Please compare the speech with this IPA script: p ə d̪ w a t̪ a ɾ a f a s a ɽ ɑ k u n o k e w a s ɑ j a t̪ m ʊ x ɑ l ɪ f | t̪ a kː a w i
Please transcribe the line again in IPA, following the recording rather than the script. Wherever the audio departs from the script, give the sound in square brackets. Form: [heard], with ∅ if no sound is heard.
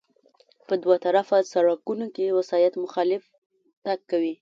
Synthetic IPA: p ə d̪ w a t̪ a ɾ a f a s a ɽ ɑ k u n o k e w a s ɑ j a t̪ m ʊ x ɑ l ɪ f | t̪ a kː a w i